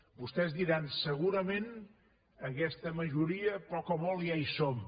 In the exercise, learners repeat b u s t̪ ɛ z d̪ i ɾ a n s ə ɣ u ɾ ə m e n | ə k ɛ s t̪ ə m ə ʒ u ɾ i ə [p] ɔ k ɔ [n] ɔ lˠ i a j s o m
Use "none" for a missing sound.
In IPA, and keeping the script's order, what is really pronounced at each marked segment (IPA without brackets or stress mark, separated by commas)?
p, m